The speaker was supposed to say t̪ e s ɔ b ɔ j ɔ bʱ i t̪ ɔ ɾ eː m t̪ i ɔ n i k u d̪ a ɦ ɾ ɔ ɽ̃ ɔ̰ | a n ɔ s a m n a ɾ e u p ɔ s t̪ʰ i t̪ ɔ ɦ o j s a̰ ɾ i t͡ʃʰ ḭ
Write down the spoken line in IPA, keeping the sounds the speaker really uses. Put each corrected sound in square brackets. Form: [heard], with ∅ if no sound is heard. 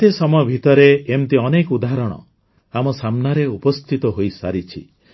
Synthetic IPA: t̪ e s ɔ [m] ɔ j ɔ bʱ i t̪ ɔ ɾ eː m t̪ i ɔ n [e] k u d̪ a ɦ ɾ ɔ ɽ̃ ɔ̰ | a [m] ɔ s a m n a ɾ e u p ɔ s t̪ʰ i t̪ ɔ ɦ o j s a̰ ɾ i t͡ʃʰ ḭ